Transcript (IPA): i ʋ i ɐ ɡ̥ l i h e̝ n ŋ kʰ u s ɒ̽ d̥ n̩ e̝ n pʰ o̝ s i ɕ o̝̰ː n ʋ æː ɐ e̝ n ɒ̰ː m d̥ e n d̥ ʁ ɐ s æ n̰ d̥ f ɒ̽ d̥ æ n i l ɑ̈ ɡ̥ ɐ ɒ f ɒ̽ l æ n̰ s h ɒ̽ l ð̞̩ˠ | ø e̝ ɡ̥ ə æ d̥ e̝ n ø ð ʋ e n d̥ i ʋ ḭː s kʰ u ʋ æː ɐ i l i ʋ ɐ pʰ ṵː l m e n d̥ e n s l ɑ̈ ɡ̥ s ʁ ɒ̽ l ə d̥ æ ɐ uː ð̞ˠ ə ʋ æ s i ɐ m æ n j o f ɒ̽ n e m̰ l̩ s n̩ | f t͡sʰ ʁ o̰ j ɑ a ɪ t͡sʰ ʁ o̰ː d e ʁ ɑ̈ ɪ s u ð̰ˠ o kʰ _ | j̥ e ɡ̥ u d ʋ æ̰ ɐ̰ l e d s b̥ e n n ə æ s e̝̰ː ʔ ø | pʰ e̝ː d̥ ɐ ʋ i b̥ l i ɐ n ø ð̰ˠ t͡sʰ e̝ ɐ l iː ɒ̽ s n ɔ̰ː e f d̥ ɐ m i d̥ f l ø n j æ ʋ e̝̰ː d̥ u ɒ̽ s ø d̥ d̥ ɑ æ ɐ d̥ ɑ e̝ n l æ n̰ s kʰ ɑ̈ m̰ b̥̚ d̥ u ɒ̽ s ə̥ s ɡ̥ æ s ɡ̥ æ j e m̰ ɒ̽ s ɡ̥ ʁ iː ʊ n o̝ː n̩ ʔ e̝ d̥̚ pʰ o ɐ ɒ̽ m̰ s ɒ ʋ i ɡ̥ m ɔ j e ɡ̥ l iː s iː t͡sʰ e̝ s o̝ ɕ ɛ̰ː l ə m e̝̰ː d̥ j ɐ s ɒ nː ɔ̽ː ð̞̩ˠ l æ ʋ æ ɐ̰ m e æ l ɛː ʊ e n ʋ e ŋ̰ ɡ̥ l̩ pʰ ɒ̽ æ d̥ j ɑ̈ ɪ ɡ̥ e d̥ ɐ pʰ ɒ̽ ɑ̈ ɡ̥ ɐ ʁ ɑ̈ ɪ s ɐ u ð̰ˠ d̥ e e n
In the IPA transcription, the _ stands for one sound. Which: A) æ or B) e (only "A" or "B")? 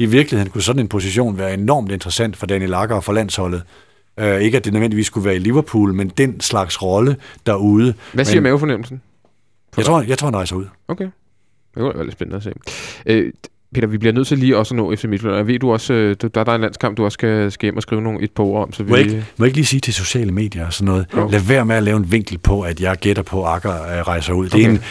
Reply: B